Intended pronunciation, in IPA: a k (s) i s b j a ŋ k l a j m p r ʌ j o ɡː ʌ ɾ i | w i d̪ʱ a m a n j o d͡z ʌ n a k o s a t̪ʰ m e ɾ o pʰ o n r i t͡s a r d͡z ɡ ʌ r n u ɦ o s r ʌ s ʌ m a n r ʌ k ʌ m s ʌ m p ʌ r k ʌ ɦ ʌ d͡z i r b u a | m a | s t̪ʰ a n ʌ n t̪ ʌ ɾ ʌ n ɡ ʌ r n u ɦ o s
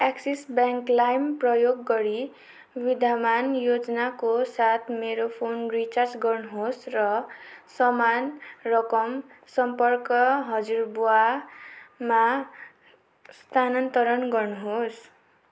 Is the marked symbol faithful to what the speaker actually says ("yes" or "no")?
yes